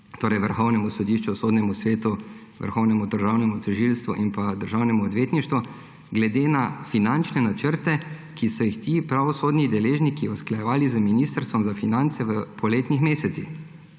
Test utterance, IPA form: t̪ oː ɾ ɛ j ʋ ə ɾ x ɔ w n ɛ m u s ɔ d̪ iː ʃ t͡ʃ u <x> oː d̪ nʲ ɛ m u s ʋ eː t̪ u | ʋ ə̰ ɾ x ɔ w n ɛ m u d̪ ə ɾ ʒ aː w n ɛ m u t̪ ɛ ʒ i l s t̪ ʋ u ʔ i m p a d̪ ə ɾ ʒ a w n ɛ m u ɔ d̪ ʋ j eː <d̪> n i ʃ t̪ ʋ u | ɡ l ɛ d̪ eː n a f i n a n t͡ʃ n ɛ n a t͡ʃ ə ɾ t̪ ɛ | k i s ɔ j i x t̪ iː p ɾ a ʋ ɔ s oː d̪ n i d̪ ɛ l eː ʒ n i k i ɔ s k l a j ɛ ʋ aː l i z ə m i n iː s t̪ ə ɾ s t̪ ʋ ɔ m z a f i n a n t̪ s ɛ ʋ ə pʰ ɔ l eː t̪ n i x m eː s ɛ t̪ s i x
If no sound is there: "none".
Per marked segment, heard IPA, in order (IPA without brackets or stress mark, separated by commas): s, t̪